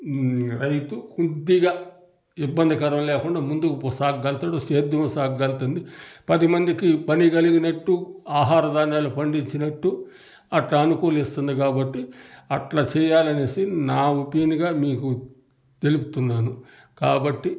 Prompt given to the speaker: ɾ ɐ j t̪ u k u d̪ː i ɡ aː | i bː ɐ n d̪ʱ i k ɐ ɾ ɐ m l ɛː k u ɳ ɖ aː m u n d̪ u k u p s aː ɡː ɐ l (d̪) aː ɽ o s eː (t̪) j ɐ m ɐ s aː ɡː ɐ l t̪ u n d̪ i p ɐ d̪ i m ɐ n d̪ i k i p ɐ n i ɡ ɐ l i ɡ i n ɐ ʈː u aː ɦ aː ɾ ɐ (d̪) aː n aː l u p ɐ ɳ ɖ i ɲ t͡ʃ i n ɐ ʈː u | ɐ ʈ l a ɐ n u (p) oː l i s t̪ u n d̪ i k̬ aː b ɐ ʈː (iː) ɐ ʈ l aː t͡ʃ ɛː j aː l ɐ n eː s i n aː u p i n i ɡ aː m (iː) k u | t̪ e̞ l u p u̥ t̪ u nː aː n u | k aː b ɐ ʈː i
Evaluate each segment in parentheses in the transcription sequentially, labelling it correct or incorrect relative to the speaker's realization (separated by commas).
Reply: incorrect, incorrect, correct, incorrect, incorrect, correct